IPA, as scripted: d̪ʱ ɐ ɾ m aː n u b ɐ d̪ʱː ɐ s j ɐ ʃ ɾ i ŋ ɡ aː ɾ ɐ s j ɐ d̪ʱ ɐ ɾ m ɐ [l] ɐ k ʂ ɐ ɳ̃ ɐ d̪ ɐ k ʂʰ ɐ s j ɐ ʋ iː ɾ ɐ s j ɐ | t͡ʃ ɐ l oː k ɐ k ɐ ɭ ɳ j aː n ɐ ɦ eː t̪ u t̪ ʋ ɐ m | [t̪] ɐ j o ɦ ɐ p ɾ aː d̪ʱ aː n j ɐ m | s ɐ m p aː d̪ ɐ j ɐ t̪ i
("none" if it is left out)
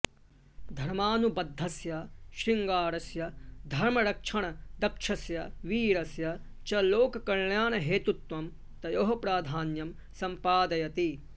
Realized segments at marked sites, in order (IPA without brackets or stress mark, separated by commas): ɾ, t̪